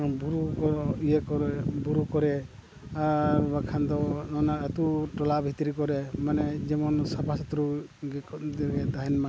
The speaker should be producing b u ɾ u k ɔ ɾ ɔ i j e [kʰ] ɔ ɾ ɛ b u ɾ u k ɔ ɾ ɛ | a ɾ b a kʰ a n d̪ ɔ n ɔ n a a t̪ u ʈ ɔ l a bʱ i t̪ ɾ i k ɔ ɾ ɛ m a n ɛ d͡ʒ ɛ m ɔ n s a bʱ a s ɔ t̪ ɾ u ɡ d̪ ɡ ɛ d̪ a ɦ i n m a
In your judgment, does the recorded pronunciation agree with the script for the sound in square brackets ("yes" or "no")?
no